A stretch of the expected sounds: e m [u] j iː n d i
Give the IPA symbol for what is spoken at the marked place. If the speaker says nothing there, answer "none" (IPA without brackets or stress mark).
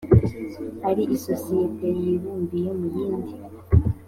u